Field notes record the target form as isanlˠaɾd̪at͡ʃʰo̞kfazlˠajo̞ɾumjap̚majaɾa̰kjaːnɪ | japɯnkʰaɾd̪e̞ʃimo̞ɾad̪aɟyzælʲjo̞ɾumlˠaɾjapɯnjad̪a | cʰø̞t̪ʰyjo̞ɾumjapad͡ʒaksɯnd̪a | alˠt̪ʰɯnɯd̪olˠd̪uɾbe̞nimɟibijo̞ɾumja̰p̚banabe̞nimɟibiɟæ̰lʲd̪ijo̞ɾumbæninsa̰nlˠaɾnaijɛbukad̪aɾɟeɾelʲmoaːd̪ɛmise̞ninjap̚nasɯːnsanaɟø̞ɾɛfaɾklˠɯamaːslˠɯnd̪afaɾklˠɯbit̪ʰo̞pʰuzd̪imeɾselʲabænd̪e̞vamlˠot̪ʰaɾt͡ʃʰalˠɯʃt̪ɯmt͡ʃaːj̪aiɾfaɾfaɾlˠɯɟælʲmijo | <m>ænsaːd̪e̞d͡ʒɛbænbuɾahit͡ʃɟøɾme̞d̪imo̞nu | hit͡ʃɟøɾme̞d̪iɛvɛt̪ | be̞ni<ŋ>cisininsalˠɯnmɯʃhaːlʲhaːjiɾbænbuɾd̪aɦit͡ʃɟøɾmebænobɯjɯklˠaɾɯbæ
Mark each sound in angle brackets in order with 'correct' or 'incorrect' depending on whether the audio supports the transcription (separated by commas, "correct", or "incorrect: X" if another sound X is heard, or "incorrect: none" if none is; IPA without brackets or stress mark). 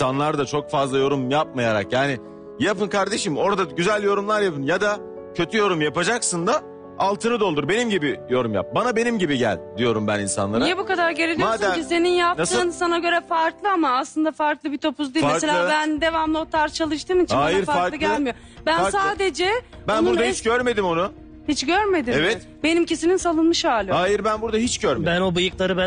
incorrect: b, incorrect: m